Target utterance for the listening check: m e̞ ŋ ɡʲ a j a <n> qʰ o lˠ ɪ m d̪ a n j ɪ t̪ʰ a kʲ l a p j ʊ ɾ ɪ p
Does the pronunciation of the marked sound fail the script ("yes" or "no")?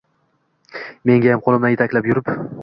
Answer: yes